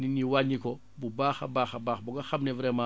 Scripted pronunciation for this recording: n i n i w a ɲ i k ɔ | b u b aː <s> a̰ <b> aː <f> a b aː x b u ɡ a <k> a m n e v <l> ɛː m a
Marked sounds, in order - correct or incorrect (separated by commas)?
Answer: incorrect, correct, incorrect, incorrect, incorrect